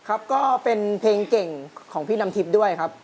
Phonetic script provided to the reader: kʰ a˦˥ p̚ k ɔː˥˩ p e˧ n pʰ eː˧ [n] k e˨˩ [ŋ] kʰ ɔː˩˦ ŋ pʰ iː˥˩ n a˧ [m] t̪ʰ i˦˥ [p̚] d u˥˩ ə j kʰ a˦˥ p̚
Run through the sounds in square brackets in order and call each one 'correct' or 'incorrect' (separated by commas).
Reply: incorrect, correct, correct, correct